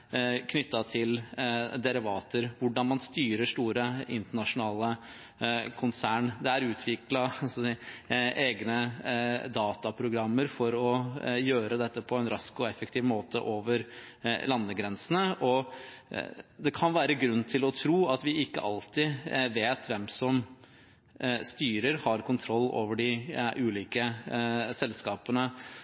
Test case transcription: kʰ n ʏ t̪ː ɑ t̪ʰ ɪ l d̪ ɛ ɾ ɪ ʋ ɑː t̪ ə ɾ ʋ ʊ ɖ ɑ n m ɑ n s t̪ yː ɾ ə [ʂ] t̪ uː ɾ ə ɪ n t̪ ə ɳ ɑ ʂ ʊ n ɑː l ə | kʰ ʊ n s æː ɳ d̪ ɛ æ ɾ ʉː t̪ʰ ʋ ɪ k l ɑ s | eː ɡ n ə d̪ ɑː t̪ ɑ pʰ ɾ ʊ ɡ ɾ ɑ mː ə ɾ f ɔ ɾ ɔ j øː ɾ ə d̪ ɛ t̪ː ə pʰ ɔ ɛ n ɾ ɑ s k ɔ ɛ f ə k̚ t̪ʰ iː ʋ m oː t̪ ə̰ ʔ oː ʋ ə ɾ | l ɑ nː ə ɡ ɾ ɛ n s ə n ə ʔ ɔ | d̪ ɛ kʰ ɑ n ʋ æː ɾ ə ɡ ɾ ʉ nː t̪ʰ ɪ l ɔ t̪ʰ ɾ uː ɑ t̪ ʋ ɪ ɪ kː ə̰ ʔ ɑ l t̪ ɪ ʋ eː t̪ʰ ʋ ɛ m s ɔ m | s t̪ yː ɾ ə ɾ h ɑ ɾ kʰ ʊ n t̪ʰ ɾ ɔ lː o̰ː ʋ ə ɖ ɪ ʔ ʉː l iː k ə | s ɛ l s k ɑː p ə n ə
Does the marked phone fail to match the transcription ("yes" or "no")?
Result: no